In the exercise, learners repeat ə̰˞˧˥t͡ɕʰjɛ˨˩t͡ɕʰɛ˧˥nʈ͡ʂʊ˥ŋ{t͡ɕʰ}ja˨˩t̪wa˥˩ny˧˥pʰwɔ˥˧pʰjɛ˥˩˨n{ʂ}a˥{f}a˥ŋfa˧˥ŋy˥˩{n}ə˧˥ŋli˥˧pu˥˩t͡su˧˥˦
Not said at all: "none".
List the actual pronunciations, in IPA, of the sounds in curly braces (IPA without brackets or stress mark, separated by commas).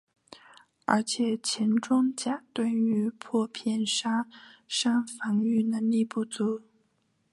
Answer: t͡ɕ, ʂ, ʂ, n